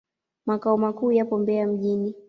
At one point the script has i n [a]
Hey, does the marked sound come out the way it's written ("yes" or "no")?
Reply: no